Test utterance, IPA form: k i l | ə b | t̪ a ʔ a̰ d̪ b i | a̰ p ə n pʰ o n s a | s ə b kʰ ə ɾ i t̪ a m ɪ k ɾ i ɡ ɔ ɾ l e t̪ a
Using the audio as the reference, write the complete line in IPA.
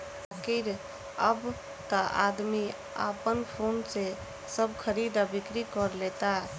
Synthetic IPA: k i ɾ | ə b | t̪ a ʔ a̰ d̪ m i | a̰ p ə n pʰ o n s e | s ə b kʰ ə ɾ i d̪ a b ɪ k ɾ i k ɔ ɾ l e t̪ a